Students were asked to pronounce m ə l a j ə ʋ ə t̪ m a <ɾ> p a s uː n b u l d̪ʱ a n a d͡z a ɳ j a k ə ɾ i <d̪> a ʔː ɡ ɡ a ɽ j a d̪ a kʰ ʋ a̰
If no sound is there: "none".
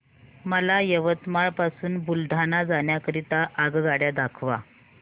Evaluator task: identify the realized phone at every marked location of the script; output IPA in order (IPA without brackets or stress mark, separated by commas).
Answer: ɭ, t̪